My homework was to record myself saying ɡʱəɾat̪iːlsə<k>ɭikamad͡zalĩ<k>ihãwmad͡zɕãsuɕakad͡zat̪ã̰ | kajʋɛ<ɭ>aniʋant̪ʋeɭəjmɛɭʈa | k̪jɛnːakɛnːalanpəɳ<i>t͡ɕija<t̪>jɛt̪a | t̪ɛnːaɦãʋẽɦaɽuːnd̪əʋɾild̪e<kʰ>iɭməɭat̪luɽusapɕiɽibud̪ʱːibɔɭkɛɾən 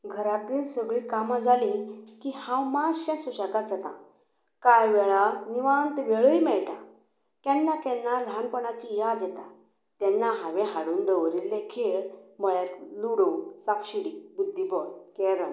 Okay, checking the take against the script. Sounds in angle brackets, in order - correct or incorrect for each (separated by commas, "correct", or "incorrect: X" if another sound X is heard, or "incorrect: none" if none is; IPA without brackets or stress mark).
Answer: incorrect: ɡ, correct, correct, incorrect: a, incorrect: d̪, correct